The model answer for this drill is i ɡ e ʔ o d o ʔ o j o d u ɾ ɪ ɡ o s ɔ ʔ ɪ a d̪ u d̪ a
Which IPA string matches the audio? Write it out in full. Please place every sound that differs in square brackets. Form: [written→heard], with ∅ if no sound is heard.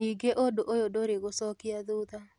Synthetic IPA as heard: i ɡ e ʔ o d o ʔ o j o d [u→o] ɾ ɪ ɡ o s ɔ [ʔ→k] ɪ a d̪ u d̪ a